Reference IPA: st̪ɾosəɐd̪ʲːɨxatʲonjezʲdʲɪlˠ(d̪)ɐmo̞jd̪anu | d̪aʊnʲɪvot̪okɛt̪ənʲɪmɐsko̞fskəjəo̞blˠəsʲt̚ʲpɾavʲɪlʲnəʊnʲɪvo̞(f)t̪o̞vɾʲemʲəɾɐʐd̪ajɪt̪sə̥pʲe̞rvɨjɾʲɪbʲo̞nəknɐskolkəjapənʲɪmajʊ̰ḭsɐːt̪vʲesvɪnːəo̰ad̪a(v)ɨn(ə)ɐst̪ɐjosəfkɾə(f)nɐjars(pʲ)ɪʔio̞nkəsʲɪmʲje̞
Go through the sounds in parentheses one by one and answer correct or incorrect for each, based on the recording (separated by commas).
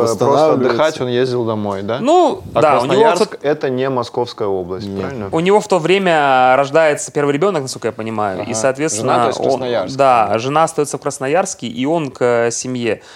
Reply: correct, correct, incorrect, incorrect, incorrect, incorrect